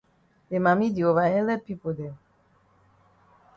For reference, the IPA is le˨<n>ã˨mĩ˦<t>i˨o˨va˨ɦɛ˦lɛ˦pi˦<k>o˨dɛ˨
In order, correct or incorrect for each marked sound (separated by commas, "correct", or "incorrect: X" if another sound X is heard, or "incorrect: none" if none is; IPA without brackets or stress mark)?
incorrect: m, incorrect: d, incorrect: p